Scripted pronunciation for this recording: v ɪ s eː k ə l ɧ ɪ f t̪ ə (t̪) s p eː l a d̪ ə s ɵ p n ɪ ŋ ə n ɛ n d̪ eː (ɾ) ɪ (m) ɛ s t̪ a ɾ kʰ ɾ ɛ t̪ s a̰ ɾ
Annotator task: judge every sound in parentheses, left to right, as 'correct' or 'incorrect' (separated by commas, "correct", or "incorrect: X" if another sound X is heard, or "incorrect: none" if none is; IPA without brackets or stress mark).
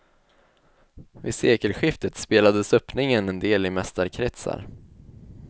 correct, incorrect: l, correct